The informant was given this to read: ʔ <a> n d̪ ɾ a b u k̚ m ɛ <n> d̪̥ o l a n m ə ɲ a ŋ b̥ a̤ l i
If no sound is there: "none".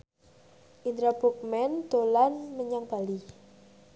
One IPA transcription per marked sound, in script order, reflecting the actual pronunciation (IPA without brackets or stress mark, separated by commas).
i, n